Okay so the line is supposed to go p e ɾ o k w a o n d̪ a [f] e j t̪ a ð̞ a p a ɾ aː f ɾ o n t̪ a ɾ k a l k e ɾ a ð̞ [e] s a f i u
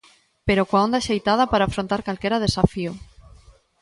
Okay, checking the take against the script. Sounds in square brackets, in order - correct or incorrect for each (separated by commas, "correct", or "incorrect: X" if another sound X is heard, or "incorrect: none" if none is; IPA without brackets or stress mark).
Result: incorrect: ʃ, correct